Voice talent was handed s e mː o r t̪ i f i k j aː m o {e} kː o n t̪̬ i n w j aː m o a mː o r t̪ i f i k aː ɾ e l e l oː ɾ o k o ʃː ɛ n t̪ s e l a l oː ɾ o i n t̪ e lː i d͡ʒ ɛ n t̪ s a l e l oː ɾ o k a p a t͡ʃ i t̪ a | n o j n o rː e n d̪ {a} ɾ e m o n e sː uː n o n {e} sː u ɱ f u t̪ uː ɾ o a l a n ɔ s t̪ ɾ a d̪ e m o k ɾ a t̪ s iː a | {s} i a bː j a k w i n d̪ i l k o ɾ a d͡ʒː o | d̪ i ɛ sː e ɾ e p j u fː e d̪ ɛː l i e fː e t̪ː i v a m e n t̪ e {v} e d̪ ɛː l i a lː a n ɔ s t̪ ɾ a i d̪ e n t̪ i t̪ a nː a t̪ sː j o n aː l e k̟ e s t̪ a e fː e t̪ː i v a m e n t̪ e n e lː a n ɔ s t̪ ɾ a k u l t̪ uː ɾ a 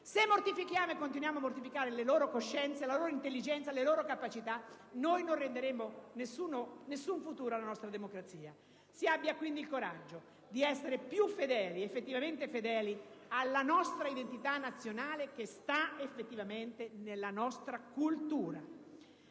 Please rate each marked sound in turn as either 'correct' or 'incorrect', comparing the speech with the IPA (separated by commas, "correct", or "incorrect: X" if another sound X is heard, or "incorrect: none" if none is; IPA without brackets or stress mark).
correct, incorrect: e, correct, correct, incorrect: f